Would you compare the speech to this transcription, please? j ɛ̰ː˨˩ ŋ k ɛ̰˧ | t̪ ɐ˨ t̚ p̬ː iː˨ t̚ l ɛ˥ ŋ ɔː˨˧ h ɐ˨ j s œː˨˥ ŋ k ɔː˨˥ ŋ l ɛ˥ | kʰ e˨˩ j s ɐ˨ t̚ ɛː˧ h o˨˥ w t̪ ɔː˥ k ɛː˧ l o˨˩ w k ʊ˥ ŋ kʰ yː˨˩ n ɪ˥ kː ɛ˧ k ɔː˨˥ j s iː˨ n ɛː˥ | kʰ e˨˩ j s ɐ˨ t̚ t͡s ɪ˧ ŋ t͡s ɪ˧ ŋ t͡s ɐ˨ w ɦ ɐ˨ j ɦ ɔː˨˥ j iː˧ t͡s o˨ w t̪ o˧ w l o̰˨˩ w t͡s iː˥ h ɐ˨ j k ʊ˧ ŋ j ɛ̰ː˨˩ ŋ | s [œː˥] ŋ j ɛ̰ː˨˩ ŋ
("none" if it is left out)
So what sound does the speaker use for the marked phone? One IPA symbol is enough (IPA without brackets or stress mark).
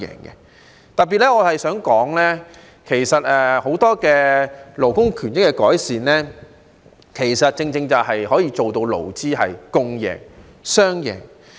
œː˥